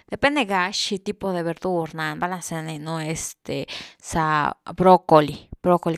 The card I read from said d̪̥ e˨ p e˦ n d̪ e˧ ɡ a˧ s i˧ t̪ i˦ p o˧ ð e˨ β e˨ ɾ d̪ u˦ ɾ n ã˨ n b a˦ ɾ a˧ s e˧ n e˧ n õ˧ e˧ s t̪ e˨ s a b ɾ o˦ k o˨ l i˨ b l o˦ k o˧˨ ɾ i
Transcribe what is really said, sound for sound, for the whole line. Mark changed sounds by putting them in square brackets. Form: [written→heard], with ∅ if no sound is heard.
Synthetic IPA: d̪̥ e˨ p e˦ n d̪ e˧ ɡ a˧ [s→ʃ] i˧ t̪ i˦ p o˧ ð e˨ β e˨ ɾ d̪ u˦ ɾ n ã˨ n b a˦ [ɾ→l] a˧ s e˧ n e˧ n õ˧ e˧ s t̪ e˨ s a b ɾ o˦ k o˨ l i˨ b [l→ɾ] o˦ k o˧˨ [ɾ→l] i

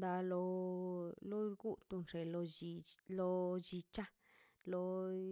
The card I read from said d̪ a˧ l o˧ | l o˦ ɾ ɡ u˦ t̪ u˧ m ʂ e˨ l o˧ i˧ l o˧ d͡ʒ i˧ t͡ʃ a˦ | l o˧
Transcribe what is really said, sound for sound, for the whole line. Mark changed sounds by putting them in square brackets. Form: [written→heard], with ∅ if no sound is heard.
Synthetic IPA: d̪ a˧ l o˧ | l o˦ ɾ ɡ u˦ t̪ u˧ [m→n] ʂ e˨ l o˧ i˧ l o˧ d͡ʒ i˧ t͡ʃ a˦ | l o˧

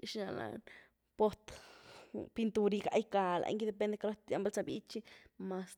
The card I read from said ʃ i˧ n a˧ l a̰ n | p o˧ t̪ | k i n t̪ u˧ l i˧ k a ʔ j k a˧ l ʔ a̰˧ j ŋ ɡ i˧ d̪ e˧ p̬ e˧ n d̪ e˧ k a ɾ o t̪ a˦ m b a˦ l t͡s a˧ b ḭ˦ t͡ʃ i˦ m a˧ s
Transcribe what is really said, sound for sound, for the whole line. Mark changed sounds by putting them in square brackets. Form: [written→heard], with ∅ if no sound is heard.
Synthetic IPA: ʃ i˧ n a˧ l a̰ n | p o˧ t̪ | [k→p] i n t̪ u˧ [l→ɾ] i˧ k a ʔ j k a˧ l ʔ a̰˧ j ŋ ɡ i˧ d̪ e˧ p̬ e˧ n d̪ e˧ k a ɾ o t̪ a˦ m b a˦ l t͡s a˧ b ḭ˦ t͡ʃ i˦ m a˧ s

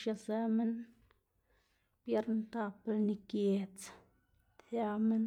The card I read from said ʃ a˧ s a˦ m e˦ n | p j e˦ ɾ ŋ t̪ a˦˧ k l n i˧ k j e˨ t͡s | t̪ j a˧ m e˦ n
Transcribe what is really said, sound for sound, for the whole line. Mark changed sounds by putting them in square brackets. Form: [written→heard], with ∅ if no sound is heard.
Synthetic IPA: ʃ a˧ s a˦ m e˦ n | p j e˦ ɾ [ŋ→n] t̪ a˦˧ [k→p] l n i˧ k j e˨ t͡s | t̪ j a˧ m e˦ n

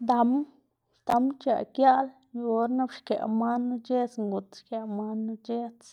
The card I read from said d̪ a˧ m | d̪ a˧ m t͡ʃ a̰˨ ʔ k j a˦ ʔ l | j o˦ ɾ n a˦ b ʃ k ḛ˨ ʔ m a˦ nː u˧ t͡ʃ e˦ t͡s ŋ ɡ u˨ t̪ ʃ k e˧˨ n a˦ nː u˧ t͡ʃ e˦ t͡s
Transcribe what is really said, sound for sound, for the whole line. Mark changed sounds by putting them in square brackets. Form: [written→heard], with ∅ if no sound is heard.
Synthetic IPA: d̪ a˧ m | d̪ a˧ m t͡ʃ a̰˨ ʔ k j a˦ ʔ l | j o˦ ɾ n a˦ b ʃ k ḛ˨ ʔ m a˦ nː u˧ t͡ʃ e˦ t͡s ŋ ɡ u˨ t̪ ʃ k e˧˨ [n→m] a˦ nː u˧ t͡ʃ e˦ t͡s

